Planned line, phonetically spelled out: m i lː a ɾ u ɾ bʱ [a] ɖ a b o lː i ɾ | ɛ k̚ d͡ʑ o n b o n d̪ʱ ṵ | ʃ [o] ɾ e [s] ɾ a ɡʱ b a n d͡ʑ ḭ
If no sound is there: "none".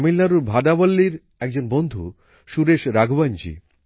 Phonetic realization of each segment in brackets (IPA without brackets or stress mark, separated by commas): a, u, ʃ